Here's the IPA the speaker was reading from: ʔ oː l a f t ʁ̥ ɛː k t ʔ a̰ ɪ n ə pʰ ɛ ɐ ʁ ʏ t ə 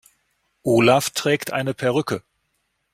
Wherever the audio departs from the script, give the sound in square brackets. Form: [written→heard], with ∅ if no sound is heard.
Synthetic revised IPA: ʔ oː l a f t ʁ̥ ɛː k t ʔ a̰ ɪ n ə pʰ ɛ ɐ ʁ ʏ [t→k] ə